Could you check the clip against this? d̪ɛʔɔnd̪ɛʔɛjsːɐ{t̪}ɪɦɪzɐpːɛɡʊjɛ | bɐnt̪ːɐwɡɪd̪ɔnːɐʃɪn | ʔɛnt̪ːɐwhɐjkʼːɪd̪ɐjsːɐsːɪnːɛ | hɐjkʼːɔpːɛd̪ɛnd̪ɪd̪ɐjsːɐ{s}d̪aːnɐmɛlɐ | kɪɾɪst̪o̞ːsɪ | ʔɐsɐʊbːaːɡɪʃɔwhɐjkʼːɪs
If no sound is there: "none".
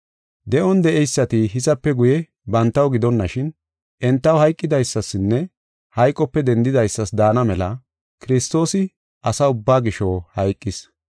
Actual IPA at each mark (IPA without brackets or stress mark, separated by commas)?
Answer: t̪, s